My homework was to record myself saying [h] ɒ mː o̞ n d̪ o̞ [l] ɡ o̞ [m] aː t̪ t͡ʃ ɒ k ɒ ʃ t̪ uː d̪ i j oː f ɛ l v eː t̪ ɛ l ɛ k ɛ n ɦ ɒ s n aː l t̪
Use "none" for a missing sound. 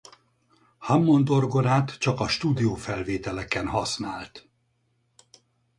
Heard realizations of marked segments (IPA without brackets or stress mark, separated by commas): h, r, n